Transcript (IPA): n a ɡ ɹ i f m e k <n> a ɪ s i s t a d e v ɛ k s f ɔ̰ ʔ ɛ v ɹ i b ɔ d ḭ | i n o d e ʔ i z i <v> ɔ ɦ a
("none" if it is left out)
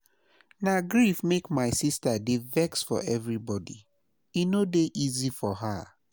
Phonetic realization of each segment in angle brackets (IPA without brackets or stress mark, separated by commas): m, f